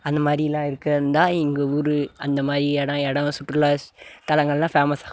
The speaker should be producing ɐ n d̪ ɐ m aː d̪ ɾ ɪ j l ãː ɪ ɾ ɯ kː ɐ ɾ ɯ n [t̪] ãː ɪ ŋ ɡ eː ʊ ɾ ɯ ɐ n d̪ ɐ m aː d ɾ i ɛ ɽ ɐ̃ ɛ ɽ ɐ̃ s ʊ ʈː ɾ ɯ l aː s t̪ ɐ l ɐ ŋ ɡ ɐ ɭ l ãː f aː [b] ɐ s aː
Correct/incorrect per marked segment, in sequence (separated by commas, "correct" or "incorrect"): incorrect, incorrect